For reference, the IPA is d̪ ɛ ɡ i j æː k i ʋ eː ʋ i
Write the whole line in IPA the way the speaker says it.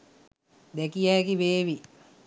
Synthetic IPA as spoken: d̪ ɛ k i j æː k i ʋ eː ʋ i

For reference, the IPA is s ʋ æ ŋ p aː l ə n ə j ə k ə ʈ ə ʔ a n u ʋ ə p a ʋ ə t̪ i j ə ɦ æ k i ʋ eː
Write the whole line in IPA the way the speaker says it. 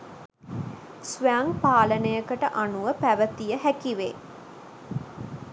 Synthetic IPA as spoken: s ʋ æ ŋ p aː l ə n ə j ə k ə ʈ ə ʔ a n u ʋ ə p æ ʋ ə t̪ i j ə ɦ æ k i ʋ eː

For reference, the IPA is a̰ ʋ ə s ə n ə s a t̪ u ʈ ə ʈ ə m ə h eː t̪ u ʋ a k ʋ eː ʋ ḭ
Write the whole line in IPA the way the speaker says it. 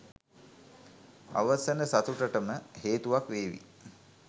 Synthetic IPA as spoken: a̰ ʋ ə s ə n ə s a t̪ u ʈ ə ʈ ə m ə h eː t̪ u ʋ a k ʋ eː ʋ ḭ

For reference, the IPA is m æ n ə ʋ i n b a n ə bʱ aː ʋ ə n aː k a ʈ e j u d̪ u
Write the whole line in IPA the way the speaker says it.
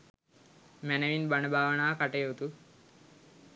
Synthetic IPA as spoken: m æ n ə ʋ i n b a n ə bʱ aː ʋ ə n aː k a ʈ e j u t̪ u

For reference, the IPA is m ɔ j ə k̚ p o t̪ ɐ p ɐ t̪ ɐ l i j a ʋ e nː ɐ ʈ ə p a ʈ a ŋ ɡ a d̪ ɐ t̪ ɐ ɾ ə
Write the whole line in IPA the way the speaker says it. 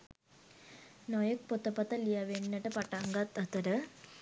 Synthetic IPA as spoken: n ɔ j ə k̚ p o t̪ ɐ p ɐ t̪ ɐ l i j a ʋ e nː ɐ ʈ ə p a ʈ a ŋ ɡ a t̪ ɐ t̪ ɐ ɾ ə

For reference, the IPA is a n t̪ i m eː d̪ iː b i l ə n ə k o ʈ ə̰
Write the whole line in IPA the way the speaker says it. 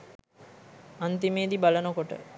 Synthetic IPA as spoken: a n t̪ i m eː d̪ i b a l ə n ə k o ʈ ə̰

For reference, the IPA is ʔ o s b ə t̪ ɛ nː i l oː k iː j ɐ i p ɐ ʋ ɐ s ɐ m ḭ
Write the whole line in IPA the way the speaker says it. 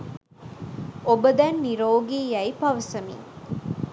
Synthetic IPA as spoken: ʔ o b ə d̪ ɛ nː i ɾ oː ɡ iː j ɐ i p ɐ ʋ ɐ s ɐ m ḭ

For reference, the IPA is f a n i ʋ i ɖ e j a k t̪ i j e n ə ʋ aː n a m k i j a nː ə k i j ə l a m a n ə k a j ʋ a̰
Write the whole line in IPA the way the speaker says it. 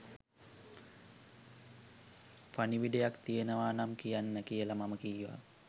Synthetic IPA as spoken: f a n i ʋ i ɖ e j a k t̪ i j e n ə ʋ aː n a m k i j a nː ə k i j ə l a m a m ə k i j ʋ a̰

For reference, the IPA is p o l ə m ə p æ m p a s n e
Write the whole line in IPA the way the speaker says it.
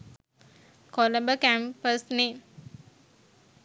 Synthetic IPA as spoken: k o l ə b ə k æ m p ə s n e

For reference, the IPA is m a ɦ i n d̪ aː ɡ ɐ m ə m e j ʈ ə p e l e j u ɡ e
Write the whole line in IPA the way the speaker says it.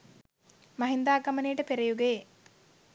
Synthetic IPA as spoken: m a ɦ i n d̪ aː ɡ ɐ m ə n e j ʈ ə p e ɾ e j u ɡ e

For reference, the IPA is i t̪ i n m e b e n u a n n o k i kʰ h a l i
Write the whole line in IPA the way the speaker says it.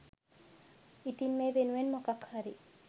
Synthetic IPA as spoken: i t̪ i n m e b e n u e n m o k a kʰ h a ɾ i

